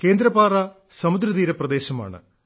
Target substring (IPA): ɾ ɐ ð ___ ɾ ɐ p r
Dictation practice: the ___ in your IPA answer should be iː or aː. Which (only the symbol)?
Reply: iː